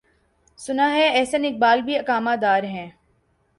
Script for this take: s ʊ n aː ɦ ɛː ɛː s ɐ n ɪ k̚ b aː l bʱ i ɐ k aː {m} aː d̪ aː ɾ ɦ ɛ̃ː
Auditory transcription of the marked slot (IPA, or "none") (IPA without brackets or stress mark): m